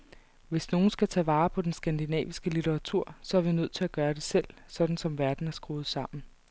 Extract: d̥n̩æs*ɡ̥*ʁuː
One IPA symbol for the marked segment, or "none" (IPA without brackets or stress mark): ɡ̥